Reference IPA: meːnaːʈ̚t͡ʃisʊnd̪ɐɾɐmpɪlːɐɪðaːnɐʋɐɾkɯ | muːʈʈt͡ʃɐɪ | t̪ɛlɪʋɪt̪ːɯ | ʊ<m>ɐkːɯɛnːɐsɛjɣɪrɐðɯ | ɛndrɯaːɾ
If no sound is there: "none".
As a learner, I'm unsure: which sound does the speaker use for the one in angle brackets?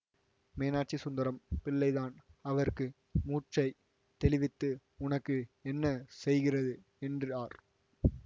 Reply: n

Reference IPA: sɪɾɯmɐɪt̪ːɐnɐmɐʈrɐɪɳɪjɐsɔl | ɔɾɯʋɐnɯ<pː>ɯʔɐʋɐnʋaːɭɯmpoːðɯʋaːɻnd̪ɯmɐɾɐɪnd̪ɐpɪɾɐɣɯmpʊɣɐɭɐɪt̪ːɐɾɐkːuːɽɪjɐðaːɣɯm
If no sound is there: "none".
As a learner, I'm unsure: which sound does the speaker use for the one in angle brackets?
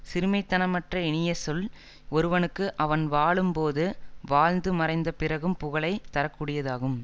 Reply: kː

